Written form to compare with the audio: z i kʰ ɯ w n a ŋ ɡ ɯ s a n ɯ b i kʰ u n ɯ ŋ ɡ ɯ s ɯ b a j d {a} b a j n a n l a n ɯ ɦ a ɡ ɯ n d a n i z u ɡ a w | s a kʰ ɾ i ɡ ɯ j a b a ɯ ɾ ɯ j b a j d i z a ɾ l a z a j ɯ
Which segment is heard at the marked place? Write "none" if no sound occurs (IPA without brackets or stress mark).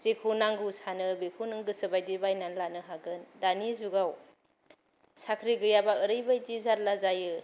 i